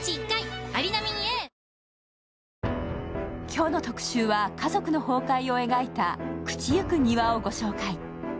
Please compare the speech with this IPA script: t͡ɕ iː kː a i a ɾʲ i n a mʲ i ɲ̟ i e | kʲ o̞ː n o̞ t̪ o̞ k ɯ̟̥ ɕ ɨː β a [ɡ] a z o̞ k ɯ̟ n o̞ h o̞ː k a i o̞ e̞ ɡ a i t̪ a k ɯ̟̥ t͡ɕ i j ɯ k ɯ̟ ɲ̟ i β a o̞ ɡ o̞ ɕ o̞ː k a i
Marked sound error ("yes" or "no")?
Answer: yes